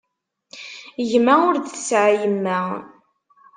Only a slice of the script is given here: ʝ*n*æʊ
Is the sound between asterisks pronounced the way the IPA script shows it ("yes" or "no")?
no